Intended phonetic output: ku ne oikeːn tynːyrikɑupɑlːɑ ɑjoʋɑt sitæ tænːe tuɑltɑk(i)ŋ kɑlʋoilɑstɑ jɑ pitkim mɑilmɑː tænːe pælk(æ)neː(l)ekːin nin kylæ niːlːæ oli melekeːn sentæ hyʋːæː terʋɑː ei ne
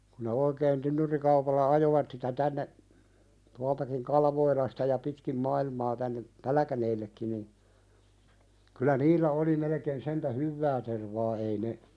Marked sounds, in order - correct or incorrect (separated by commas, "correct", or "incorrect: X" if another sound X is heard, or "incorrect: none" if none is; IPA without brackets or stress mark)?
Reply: correct, correct, incorrect: lː